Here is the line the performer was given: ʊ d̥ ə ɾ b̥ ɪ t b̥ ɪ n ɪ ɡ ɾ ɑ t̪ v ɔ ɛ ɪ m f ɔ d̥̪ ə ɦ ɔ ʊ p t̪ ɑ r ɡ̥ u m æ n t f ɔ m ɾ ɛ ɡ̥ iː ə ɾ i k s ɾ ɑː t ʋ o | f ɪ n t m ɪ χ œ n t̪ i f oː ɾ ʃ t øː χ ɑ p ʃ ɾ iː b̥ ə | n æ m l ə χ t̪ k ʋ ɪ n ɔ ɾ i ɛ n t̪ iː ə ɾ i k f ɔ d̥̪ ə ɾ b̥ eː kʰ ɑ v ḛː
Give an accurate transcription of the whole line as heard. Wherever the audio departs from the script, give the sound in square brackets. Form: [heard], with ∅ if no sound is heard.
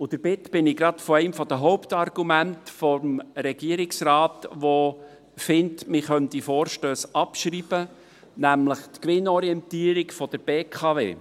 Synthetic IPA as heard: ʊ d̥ ə ɾ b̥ ɪ t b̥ ɪ n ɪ ɡ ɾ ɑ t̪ [f] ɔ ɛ ɪ m f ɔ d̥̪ ə ɦ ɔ ʊ p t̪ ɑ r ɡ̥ u m æ n t f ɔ m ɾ ɛ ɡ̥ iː ə ɾ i k s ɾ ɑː t ʋ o | f ɪ n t m ɪ χ œ n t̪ i f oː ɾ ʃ t øː [s] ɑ p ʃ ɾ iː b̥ ə | n æ m l ə χ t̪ k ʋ ɪ n ɔ ɾ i ɛ n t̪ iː ə ɾ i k f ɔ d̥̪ ə ɾ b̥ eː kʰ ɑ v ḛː